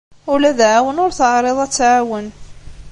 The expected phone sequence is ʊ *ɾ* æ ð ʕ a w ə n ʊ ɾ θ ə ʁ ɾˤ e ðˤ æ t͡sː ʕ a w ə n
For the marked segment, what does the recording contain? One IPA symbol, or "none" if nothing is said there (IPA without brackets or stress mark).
l